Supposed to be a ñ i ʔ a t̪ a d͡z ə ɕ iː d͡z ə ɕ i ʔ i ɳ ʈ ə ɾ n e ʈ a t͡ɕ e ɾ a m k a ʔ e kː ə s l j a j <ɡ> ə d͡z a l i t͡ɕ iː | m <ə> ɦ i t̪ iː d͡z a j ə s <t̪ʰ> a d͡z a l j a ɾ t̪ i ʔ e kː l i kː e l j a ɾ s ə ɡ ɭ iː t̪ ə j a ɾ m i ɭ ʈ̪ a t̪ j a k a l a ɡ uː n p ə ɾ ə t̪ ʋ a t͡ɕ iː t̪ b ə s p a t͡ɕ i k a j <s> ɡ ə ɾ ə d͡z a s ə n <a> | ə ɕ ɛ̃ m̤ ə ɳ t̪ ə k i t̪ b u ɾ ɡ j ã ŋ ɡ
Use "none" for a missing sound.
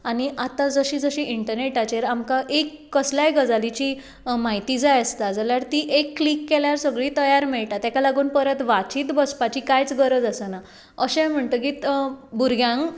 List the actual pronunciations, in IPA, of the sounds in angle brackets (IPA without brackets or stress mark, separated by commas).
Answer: ɡ, a, t̪, t͡s, a